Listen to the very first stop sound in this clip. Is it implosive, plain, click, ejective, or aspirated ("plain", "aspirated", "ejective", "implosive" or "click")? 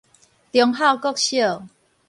plain